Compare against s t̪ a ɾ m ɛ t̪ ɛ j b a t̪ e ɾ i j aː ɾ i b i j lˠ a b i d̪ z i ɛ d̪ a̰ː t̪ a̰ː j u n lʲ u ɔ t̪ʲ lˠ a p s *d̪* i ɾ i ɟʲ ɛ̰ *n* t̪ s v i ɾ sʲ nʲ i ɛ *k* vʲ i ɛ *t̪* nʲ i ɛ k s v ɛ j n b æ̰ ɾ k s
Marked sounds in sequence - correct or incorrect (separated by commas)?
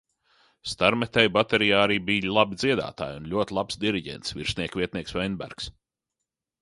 correct, correct, correct, correct